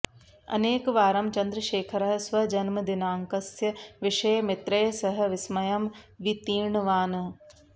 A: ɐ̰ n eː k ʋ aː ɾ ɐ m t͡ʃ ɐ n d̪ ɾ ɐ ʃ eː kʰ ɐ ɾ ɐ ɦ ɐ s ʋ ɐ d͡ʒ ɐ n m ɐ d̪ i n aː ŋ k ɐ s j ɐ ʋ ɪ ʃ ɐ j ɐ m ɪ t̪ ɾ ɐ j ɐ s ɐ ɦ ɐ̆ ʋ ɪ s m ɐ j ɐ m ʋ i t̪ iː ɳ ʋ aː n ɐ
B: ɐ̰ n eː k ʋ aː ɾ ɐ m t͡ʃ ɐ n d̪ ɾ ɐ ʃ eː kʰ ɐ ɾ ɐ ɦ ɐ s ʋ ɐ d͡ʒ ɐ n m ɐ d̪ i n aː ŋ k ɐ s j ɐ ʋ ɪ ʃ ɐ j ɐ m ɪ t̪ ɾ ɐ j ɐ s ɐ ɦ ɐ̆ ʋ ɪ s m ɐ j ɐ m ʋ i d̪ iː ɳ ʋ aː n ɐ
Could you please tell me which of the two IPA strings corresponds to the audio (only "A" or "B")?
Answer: A